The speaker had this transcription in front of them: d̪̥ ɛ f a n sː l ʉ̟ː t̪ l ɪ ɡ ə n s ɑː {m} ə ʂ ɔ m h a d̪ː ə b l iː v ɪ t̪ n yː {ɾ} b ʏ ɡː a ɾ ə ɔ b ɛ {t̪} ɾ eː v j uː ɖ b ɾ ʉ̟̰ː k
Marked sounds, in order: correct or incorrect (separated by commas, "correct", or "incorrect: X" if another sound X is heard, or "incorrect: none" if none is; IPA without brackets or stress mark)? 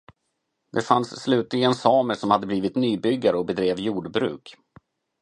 correct, incorrect: none, incorrect: d̪